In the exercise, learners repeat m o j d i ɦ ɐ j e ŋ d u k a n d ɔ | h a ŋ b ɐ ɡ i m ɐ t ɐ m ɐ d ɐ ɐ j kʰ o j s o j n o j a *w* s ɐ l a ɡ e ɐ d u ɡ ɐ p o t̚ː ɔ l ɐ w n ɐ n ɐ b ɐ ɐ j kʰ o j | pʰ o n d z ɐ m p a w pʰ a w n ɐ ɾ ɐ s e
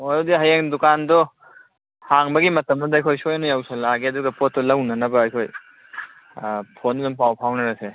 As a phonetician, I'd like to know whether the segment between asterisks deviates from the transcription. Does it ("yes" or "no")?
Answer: no